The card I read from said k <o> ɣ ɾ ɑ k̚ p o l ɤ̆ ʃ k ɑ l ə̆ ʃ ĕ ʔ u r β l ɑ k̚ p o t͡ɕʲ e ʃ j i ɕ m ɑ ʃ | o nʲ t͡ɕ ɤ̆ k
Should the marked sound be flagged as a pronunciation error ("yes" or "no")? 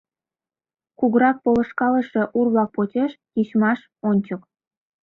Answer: yes